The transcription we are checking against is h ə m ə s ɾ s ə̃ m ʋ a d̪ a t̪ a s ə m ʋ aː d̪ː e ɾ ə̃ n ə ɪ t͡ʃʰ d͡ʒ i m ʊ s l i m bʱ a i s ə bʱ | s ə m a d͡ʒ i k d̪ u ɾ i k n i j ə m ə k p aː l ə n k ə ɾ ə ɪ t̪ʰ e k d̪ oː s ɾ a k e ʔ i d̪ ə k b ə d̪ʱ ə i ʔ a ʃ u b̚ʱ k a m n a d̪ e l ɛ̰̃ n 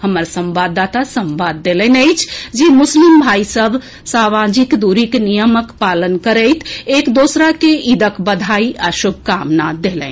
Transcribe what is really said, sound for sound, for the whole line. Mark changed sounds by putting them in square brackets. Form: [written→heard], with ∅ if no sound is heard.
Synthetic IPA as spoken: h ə m ə [s→∅] ɾ s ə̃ m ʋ a d̪ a t̪ a s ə m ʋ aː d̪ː e [ɾ→l] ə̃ n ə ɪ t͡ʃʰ d͡ʒ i m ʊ s l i m bʱ a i s ə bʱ | s [ə→a] m a d͡ʒ i k d̪ u ɾ i k n i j ə m ə k p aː l ə n k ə ɾ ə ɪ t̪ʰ e k d̪ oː s ɾ a k e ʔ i d̪ ə k b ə d̪ʱ [ə→a] i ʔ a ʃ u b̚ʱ k a m n a d̪ e l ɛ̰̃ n